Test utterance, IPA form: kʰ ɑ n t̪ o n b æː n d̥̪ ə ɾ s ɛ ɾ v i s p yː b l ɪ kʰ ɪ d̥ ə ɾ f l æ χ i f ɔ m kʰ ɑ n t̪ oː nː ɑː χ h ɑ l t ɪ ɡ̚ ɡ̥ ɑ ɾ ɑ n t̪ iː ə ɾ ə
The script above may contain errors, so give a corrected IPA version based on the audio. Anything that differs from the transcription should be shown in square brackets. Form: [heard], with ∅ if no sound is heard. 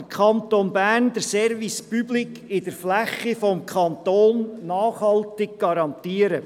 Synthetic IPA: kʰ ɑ n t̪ o n b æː n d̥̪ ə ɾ s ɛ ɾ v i s p [y] b l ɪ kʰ ɪ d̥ ə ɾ f l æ χ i f ɔ m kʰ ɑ n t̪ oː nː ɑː χ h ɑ l t ɪ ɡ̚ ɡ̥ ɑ ɾ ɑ n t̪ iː ə ɾ ə